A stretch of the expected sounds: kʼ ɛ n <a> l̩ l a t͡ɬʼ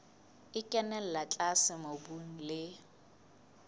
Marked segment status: incorrect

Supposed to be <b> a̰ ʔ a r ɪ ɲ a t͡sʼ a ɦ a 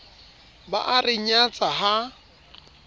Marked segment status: correct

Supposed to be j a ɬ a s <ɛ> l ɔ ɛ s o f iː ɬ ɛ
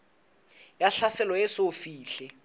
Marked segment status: correct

